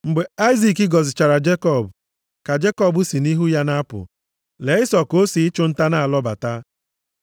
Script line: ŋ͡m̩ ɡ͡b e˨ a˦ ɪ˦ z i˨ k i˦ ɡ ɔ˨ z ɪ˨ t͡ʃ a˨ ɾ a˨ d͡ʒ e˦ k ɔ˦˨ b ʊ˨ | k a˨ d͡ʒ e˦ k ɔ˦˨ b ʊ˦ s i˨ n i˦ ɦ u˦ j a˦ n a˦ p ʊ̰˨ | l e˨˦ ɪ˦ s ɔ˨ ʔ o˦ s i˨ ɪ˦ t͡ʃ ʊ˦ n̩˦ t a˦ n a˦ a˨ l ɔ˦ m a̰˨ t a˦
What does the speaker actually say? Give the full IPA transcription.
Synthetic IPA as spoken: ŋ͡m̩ ɡ͡b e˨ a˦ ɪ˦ z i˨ k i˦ ɡ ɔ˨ z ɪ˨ t͡ʃ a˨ ɾ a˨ d͡ʒ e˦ k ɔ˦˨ b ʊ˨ | k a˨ d͡ʒ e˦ k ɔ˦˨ b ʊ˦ s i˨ n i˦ ɦ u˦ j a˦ n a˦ p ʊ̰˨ | l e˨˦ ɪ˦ s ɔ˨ k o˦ s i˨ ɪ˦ t͡ʃ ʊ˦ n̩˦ t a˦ n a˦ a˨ l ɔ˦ b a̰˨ t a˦